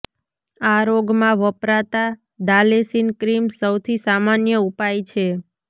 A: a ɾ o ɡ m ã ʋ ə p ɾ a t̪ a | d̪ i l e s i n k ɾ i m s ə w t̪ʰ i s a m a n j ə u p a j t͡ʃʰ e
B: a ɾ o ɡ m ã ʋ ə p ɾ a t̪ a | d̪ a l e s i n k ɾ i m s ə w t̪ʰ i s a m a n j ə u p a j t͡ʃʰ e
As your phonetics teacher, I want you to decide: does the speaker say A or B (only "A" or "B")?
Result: B